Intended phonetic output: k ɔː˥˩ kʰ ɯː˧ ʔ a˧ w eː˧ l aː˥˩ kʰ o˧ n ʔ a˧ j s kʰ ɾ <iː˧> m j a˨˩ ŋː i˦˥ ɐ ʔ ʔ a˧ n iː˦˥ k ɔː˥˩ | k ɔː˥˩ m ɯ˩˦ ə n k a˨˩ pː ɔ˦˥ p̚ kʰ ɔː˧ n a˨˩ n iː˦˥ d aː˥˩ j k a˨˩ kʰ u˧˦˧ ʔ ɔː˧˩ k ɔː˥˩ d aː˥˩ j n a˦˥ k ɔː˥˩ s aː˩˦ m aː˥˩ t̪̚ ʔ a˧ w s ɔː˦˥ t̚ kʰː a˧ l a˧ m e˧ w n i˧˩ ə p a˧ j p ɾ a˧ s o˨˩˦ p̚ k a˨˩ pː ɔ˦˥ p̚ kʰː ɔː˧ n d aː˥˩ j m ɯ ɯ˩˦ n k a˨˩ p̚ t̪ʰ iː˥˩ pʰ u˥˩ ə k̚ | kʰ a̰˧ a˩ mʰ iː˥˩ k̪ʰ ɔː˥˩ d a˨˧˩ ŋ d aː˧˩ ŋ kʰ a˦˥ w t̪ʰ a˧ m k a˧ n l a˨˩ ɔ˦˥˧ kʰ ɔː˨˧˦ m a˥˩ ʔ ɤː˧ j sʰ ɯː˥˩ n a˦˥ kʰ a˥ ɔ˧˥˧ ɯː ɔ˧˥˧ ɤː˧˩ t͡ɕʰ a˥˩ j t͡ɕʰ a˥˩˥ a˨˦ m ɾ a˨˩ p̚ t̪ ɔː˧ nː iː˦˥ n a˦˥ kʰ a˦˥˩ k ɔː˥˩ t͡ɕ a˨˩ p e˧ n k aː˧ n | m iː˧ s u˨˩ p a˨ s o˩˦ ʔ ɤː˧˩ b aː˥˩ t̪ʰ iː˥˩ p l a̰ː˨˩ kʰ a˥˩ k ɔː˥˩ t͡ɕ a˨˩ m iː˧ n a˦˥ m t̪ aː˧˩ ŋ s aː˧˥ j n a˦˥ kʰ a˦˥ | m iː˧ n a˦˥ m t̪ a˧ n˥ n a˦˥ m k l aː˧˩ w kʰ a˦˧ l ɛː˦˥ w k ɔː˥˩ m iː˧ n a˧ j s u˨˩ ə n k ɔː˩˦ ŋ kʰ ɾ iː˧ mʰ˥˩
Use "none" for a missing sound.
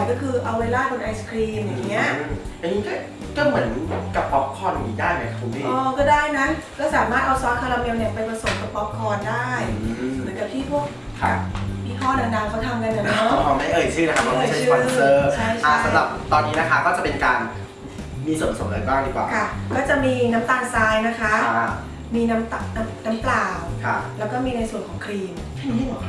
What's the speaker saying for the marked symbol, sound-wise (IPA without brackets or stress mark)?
iː˧